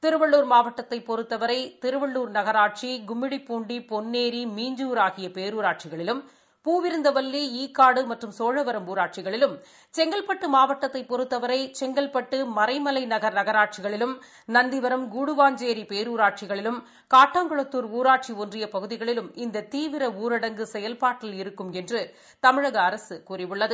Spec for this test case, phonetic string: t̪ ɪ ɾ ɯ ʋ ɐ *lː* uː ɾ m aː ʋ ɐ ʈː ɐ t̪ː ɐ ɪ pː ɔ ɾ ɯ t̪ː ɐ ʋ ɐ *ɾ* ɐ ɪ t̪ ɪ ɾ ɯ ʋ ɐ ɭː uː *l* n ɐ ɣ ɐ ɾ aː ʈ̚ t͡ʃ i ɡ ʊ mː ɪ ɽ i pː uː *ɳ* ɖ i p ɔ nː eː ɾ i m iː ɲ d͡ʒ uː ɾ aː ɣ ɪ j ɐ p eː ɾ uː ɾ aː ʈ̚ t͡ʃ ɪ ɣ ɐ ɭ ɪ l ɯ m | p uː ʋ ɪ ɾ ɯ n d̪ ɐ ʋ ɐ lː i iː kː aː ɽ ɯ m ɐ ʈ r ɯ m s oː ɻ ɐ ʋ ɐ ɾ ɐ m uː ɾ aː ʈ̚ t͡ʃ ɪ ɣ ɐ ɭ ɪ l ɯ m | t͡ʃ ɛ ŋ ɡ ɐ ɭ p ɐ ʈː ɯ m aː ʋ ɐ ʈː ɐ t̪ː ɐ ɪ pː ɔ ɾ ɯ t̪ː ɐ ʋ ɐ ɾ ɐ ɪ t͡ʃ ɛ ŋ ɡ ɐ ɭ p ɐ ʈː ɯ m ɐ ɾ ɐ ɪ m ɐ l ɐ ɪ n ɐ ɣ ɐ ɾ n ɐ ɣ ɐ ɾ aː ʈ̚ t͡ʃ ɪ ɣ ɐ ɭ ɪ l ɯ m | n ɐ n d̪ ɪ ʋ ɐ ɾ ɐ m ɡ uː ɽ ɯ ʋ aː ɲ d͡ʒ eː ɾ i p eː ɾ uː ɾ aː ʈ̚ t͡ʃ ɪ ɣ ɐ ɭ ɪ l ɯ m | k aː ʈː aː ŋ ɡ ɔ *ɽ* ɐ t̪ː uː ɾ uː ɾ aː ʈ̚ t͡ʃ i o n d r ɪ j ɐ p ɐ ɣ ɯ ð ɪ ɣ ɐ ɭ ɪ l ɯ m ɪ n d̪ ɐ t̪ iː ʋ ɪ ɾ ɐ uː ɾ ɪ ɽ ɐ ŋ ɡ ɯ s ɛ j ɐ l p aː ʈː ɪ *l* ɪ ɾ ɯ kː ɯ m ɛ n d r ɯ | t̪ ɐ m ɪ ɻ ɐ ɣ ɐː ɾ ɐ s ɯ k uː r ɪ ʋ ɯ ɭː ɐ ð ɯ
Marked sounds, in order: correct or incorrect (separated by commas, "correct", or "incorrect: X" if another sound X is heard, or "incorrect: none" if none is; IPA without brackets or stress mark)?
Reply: incorrect: ɭː, correct, incorrect: ɾ, correct, incorrect: ɭ, correct